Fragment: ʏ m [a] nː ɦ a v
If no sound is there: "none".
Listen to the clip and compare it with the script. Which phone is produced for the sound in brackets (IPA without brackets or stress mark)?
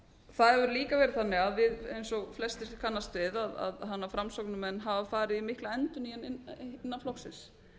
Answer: ɛ